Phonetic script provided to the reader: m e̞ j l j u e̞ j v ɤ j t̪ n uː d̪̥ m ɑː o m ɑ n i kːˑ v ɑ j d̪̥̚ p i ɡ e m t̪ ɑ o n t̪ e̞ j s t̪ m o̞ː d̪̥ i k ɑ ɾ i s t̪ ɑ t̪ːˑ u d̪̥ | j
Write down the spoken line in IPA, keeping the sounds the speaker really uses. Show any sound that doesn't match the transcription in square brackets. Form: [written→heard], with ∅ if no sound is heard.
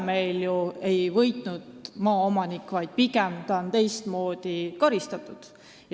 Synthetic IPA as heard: m e̞ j l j u e̞ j v ɤ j t̪ n [uː→u] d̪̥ m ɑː o m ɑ n i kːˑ v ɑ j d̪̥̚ p i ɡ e m t̪ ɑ o n t̪ e̞ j s t̪ m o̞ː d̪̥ i k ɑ ɾ i s t̪ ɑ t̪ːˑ u d̪̥ | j